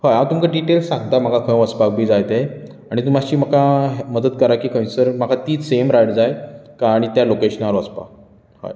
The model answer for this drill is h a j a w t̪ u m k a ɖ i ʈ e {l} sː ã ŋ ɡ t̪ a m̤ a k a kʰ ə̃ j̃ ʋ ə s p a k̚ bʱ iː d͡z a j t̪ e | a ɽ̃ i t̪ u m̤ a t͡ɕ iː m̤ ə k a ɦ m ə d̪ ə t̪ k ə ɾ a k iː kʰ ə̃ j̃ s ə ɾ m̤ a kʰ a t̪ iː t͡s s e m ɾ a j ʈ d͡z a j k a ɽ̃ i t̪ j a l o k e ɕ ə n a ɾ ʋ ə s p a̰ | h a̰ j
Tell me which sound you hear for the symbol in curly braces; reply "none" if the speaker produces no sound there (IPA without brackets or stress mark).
l